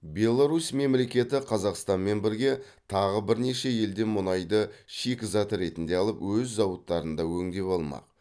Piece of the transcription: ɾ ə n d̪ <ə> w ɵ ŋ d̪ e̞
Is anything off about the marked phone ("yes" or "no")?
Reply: yes